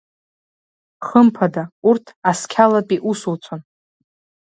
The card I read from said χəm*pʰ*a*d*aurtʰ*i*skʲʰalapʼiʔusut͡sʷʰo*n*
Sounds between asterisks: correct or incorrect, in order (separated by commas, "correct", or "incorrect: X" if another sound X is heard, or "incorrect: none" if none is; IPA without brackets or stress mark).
correct, correct, incorrect: a, correct